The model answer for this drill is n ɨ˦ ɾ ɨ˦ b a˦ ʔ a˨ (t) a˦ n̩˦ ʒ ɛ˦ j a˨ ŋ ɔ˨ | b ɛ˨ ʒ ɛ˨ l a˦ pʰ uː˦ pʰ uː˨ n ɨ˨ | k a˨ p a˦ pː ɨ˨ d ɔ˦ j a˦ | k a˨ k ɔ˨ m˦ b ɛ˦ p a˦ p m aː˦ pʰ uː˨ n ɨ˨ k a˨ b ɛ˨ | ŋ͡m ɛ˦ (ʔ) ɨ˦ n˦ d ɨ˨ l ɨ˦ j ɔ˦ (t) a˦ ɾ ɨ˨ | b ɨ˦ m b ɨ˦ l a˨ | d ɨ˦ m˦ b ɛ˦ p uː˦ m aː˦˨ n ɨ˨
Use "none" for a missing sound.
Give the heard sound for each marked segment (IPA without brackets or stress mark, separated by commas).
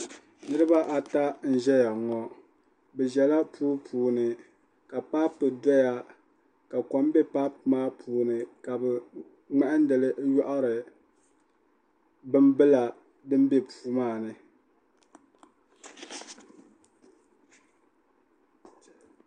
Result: t, ʔ, ʔ